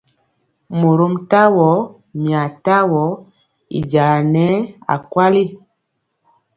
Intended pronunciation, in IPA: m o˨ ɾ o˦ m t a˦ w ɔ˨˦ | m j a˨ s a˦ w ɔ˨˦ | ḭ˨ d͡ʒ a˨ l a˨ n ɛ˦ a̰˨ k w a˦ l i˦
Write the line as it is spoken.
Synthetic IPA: m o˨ ɾ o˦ m t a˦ w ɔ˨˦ | m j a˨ t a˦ w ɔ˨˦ | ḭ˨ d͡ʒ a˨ l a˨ n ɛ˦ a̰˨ k w a˦ l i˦